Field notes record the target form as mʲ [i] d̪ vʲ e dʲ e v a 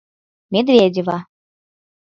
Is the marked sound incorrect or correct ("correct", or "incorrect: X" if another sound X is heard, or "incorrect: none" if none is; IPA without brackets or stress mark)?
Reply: incorrect: e